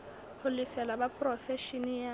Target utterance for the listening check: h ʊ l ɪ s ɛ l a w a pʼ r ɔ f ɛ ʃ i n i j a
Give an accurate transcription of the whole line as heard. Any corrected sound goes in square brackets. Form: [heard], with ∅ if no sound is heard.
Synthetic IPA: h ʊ l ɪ s ɛ l a [b] a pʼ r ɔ f ɛ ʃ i n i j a